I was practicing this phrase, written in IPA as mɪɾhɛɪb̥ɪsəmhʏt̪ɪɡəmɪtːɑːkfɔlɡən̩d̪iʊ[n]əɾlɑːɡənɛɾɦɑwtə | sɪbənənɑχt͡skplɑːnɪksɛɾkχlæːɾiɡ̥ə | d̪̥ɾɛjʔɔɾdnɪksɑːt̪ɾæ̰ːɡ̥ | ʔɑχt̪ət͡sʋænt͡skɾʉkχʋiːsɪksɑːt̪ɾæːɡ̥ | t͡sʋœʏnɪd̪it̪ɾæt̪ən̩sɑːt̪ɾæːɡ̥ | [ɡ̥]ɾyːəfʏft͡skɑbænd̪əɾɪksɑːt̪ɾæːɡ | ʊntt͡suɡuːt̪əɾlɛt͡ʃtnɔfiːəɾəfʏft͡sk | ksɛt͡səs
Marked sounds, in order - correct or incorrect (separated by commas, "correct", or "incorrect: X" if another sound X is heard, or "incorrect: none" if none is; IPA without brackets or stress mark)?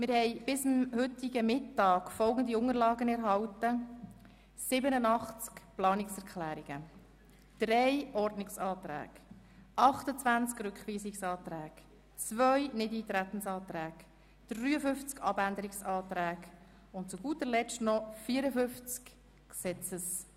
incorrect: ŋ, incorrect: d̥